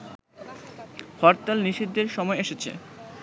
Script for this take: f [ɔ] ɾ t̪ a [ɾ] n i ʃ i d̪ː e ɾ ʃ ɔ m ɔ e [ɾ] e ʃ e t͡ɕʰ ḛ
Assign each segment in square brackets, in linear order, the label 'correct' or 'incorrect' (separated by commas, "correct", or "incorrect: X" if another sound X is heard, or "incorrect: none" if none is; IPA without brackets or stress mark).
correct, incorrect: l, incorrect: none